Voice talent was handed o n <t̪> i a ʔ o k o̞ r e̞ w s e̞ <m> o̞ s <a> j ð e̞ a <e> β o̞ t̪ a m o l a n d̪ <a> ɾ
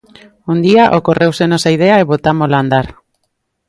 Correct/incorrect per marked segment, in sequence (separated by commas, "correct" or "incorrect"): incorrect, incorrect, correct, correct, correct